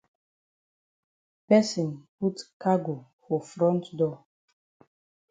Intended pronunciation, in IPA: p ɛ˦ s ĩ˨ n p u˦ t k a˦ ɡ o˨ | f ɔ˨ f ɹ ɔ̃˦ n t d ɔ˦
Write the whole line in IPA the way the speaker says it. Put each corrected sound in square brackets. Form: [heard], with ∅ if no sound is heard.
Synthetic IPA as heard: p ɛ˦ s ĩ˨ n p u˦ t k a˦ ɡ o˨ | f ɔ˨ f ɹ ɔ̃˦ n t d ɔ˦